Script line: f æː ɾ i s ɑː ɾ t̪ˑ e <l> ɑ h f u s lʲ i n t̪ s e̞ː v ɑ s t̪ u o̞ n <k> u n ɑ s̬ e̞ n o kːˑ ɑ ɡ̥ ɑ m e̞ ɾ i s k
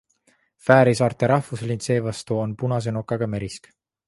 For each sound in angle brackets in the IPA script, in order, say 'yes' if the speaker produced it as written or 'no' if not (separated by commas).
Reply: no, no